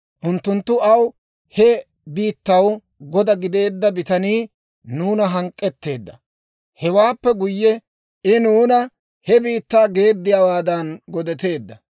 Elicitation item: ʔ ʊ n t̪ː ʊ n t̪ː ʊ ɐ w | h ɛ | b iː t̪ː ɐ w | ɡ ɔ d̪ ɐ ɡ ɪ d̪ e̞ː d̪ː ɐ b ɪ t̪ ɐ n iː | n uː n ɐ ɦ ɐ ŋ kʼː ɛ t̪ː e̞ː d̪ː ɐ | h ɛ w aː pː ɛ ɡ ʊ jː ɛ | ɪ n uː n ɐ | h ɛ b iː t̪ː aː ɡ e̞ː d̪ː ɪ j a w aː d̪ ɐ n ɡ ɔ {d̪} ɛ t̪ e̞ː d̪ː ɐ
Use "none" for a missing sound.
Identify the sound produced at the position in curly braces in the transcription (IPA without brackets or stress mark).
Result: d̪